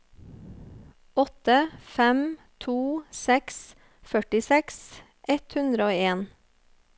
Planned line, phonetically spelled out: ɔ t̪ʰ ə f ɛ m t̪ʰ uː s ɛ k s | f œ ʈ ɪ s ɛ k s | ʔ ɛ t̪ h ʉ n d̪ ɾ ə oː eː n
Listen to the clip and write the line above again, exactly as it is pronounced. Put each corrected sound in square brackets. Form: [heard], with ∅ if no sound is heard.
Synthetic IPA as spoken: ɔ [t̪] ə f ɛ m t̪ʰ uː s ɛ k s | f œ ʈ ɪ s ɛ k s | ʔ ɛ t̪ h ʉ n d̪ ɾ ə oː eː n

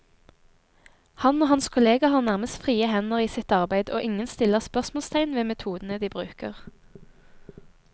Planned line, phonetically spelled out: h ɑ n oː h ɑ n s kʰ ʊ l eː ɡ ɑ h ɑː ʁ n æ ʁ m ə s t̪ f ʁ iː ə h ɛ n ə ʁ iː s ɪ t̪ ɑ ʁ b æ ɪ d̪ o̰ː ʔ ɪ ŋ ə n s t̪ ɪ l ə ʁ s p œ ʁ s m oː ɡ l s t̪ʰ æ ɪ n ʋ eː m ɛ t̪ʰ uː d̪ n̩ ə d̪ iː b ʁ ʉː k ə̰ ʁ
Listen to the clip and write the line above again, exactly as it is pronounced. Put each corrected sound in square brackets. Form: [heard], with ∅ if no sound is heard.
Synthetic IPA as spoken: h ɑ n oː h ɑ n s kʰ ʊ l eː ɡ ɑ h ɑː ʁ n æ ʁ m ə s t̪ f ʁ iː ə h ɛ n ə ʁ iː s ɪ t̪ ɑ ʁ b æ ɪ d̪ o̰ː ʔ ɪ ŋ ə n s t̪ ɪ l ə ʁ s p œ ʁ s m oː [∅] l s t̪ʰ æ ɪ n ʋ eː m ɛ t̪ʰ uː d̪ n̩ ə d̪ iː b ʁ ʉː k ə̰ ʁ

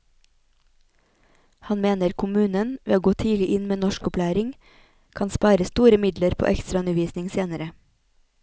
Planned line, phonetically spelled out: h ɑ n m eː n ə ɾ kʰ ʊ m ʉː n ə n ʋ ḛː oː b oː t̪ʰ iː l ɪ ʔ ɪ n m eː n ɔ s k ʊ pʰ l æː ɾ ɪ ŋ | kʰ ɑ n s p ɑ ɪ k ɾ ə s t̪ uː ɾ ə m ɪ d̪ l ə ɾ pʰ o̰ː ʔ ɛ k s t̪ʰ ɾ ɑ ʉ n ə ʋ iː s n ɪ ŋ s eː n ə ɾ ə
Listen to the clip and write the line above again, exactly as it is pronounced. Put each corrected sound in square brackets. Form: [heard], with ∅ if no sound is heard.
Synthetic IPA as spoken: h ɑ n m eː n ə ɾ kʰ ʊ m ʉː n ə n ʋ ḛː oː [ɡ] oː t̪ʰ iː l ɪ ʔ ɪ n m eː n ɔ [ʃ] k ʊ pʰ l æː ɾ ɪ ŋ | kʰ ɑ n s p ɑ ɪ [∅] ɾ ə s t̪ uː ɾ ə m ɪ d̪ l ə ɾ pʰ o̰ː ʔ ɛ k s [t̪] ɾ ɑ ʉ n ə ʋ iː s n ɪ ŋ s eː n ə ɾ ə

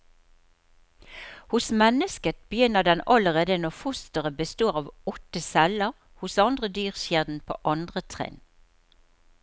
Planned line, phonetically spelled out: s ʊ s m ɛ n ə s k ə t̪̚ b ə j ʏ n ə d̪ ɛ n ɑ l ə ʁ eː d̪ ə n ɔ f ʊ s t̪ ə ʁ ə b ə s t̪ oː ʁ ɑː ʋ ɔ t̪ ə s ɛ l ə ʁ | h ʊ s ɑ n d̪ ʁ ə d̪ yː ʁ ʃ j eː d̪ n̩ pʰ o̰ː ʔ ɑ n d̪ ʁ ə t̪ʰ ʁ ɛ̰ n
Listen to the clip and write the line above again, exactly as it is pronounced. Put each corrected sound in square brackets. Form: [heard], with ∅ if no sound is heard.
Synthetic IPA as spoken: [h] ʊ s m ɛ n ə s k ə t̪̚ b ə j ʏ n ə d̪ ɛ n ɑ l ə ʁ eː d̪ ə n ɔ f ʊ s t̪ ə ʁ ə b ə s t̪ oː ʁ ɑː ʋ ɔ t̪ ə s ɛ l ə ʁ | h ʊ s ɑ n d̪ ʁ ə d̪ yː ʁ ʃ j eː d̪ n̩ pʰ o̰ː ʔ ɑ n d̪ ʁ ə t̪ʰ ʁ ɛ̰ n

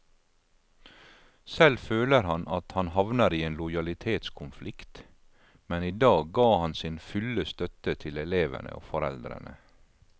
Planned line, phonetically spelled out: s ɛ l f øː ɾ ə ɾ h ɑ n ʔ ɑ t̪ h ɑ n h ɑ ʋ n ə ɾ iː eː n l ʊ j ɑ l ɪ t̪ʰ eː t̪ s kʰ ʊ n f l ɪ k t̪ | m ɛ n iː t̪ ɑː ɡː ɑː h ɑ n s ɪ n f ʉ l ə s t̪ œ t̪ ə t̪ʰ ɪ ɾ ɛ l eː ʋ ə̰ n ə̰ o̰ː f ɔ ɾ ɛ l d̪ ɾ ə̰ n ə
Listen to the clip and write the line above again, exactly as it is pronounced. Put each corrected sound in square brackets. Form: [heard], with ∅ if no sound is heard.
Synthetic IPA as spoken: s ɛ l f øː [l] ə ɾ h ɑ n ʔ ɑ t̪ h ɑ n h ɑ ʋ n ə ɾ iː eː n l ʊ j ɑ l ɪ t̪ʰ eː t̪ s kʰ ʊ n f l ɪ k t̪ | m ɛ n iː [d̪] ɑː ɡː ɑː h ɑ n s ɪ n f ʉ l ə s t̪ œ t̪ ə t̪ʰ ɪ [l] ɛ l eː ʋ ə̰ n ə̰ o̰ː f ɔ ɾ ɛ l d̪ ɾ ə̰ n ə

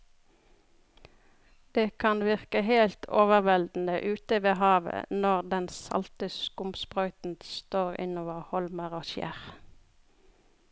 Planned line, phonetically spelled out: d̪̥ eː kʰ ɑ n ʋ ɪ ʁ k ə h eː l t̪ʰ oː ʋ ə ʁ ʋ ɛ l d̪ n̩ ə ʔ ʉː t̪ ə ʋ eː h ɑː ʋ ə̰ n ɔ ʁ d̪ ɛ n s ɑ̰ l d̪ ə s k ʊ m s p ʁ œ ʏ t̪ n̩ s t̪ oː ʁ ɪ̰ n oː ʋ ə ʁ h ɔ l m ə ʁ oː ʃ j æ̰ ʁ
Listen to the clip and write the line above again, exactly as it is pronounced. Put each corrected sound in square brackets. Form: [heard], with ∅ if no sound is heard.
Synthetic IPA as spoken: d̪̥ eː kʰ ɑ n ʋ ɪ ʁ k ə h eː l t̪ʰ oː ʋ ə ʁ ʋ ɛ l d̪ n̩ ə ʔ ʉː t̪ ə ʋ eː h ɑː ʋ ə̰ n ɔ ʁ d̪ ɛ n s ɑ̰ l [t̪] ə s k ʊ m s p ʁ œ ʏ t̪ n̩ s t̪ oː ʁ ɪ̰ n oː ʋ ə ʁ h ɔ l m ə ʁ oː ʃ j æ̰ ʁ

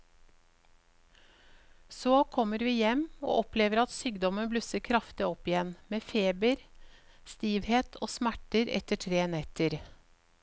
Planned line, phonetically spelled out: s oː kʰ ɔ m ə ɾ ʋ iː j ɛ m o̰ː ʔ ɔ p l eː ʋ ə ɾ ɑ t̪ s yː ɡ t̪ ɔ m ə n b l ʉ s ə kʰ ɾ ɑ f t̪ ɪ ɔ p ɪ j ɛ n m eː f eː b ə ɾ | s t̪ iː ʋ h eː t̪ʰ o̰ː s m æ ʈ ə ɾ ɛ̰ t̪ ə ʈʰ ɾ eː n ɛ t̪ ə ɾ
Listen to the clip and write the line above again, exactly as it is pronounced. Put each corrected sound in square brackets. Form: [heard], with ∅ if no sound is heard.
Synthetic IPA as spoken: s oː kʰ ɔ m ə ɾ ʋ iː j ɛ m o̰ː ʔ ɔ p l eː ʋ ə ɾ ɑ t̪ s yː ɡ [d̪] ɔ m ə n b l ʉ s ə kʰ ɾ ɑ f t̪ ɪ ɔ p ɪ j ɛ n m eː f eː b ə ɾ | s t̪ iː ʋ h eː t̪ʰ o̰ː s m æ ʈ ə ɾ ɛ̰ t̪ ə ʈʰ ɾ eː n ɛ t̪ ə ɾ

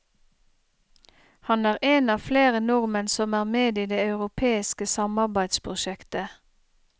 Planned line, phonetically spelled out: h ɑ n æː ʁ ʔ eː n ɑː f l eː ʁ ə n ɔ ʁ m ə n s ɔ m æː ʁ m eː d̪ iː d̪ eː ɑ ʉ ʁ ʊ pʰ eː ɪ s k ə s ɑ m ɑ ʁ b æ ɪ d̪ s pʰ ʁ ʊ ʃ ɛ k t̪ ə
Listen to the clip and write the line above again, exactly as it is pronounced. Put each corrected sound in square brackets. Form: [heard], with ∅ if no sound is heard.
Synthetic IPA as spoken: h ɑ n æː ʁ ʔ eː n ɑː f l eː ʁ ə n ɔ ʁ m ə n s ɔ m æː ʁ m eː d̪ iː d̪ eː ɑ ʉ ʁ ʊ pʰ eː ɪ s k ə s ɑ m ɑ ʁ b æ ɪ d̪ s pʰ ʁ ʊ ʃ ɛ k t̪ ə

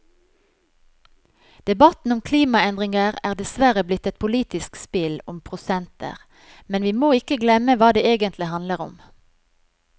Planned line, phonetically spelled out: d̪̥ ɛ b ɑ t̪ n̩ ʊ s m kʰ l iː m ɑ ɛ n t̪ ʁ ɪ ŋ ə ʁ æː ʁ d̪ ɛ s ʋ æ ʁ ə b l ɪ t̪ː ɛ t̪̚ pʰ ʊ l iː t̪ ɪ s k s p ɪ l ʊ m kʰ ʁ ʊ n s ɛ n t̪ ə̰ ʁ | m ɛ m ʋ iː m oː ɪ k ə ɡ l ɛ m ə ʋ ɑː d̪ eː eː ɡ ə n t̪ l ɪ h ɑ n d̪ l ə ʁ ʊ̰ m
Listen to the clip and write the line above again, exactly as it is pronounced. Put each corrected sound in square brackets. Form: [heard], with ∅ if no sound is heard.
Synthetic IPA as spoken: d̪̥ ɛ b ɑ t̪ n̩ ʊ [∅] m kʰ l iː m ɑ ɛ n [d̪] ʁ ɪ ŋ ə ʁ æː ʁ d̪ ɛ s ʋ æ ʁ ə b l ɪ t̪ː ɛ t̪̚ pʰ ʊ l iː t̪ ɪ s k s p ɪ l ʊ m [pʰ] ʁ ʊ [∅] s ɛ n t̪ ə̰ ʁ | m ɛ [n] ʋ iː m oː ɪ k ə ɡ l ɛ m ə ʋ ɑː d̪ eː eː ɡ ə n t̪ l ɪ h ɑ n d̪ l ə ʁ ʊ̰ m

